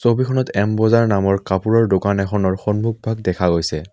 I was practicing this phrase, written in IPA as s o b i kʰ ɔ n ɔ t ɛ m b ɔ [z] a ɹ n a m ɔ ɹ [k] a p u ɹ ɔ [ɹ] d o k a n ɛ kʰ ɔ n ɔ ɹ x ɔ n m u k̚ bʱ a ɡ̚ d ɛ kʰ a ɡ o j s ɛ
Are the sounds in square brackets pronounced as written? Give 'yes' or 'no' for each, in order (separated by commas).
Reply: yes, yes, yes